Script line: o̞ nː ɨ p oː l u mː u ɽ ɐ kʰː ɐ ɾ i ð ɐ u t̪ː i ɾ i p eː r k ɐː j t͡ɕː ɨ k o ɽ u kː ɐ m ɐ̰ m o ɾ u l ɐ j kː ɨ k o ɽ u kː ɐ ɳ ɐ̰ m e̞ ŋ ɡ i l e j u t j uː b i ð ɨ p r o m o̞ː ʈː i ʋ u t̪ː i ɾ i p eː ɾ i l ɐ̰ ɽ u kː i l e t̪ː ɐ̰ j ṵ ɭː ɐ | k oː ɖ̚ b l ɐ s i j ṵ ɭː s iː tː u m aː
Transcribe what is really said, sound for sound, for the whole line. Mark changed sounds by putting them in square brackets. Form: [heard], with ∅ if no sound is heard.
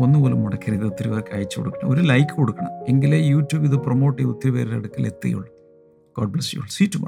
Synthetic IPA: o̞ nː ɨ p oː l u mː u ɽ ɐ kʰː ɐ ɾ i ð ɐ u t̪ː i ɾ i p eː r k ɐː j t͡ɕː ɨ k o ɽ u kː ɐ [ɳ] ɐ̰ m o ɾ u l ɐ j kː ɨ k o ɽ u kː ɐ ɳ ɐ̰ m e̞ ŋ ɡ i l e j [uː] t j uː b i ð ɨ p r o m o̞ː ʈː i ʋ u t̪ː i ɾ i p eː ɾ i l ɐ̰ ɽ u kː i l e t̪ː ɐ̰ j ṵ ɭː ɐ | k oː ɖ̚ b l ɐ s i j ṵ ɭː s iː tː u m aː